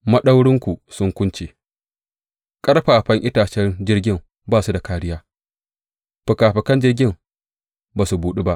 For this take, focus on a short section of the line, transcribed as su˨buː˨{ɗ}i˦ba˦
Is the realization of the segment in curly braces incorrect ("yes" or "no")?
no